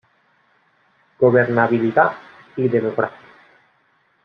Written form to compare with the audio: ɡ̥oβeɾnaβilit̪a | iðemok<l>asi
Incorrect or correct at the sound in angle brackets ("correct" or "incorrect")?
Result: incorrect